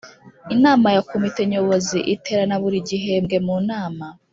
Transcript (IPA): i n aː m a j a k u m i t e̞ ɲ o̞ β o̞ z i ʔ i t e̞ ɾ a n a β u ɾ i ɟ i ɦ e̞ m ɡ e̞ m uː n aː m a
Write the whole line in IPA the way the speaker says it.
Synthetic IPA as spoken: i n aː m a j a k o m i t e̞ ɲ o̞ β o̞ z i ʔ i t e̞ ɾ a n a β u ɾ i ɟ i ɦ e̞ m ɡ e̞ m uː n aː m a